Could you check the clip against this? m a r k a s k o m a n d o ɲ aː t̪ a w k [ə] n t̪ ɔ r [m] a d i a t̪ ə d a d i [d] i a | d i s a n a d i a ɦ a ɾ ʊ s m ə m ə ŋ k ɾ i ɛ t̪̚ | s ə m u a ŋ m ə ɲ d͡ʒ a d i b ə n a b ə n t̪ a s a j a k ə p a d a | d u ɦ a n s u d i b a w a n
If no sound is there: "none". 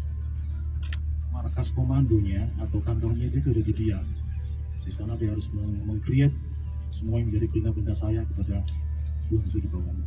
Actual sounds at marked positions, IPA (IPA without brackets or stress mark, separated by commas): a, ɲ, d